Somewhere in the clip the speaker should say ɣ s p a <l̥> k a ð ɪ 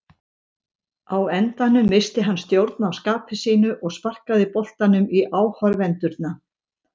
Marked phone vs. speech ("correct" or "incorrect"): incorrect